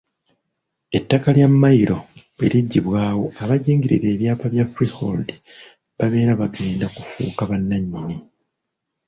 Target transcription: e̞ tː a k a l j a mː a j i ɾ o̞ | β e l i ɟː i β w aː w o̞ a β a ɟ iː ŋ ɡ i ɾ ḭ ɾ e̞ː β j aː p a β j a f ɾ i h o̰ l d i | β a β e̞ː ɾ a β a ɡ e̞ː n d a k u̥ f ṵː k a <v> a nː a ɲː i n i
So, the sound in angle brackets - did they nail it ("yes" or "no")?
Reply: no